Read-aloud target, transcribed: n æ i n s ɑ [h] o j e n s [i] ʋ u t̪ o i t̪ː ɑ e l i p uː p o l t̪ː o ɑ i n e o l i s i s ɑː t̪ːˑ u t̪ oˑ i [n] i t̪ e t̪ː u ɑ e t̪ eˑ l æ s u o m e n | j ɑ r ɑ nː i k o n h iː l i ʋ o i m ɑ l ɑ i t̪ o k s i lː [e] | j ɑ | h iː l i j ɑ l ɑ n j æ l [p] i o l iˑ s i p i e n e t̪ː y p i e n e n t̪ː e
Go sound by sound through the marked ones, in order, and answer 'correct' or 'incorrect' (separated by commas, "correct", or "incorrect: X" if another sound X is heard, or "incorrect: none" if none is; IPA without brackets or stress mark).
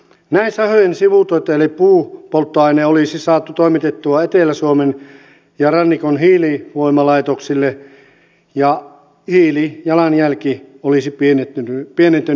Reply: correct, correct, incorrect: m, correct, incorrect: k